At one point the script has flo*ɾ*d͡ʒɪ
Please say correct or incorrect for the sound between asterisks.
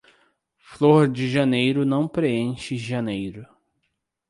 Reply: correct